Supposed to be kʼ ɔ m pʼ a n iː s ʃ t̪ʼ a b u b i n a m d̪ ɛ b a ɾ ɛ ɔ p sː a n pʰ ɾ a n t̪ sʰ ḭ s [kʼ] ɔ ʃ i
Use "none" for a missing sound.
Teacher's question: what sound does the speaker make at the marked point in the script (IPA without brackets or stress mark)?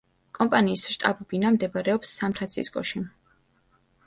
kʼ